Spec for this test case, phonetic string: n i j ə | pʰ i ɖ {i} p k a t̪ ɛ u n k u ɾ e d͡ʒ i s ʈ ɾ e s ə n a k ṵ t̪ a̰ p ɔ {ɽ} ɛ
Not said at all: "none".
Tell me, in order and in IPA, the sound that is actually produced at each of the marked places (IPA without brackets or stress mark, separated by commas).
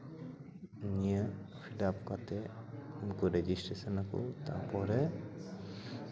a, ɾ